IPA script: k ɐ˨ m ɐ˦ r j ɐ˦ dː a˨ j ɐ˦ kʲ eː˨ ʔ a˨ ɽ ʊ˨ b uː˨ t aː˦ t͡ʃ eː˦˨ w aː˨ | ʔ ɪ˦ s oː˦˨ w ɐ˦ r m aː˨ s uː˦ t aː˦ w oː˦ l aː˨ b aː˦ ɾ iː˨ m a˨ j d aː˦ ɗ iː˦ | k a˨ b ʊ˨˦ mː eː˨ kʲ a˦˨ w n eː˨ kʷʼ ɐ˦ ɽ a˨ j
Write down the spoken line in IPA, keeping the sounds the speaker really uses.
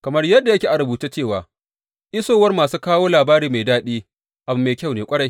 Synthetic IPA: k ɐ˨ m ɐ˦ r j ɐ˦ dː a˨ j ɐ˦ kʲ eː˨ ʔ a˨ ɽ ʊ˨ b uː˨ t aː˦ t͡ʃ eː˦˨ w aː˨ | ʔ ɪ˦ s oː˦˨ w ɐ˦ r m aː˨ s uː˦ k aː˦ w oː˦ l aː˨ b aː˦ ɾ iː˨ m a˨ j d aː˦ ɗ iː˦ | ʔ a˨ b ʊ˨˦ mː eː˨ kʲ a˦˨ w n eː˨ kʷʼ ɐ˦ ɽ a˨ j